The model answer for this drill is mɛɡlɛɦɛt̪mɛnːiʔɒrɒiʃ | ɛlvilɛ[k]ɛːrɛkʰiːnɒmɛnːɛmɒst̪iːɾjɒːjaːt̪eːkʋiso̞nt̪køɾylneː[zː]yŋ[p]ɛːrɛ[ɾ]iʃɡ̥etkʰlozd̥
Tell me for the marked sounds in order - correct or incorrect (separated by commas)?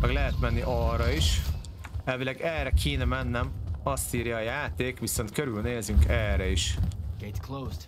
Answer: incorrect, incorrect, incorrect, incorrect